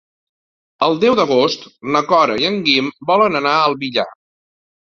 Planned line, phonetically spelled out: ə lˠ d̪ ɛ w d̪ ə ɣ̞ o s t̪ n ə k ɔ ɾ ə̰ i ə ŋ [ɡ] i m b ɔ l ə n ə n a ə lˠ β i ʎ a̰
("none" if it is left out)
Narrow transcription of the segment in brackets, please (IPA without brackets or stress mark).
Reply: ɡ